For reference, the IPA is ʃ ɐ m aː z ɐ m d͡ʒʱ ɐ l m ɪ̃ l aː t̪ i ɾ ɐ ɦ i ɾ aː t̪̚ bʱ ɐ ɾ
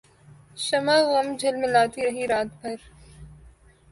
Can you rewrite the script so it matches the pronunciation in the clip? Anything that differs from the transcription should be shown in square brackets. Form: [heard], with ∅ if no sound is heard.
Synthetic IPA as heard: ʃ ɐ m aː [ɣ] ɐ m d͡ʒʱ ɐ l m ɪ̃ l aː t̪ i ɾ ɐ ɦ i ɾ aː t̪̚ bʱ ɐ ɾ